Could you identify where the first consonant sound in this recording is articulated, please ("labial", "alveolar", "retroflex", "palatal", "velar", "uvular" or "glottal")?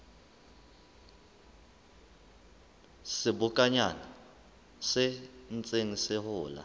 alveolar